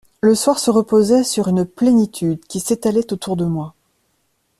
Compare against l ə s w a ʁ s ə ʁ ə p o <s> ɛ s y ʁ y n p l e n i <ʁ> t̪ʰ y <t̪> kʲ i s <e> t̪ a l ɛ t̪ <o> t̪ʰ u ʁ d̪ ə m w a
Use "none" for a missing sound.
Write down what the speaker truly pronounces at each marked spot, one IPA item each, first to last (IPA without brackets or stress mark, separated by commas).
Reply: z, none, d̪, e, o